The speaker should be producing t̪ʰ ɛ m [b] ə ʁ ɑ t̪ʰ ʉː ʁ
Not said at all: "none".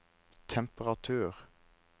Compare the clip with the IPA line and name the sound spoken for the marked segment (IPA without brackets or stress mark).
p